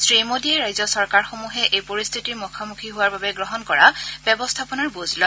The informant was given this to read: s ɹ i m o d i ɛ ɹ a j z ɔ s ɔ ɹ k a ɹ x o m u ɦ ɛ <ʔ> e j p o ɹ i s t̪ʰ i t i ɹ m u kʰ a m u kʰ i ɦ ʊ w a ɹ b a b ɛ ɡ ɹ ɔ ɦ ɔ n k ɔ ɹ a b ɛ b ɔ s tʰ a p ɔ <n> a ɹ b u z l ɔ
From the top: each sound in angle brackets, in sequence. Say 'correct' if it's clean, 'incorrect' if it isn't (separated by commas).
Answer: correct, correct